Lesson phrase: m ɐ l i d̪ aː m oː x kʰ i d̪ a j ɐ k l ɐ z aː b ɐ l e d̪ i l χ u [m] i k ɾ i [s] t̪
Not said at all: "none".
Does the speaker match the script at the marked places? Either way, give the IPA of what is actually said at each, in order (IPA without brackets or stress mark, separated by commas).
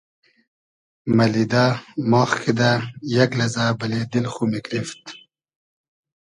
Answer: m, f